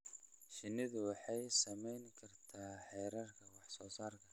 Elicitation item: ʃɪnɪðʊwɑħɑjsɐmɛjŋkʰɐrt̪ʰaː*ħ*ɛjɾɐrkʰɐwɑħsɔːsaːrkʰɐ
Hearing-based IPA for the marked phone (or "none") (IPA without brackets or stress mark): ħ